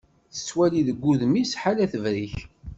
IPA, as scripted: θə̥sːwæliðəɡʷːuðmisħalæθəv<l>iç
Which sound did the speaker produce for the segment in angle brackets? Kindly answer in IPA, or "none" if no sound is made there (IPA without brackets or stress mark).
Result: ɾ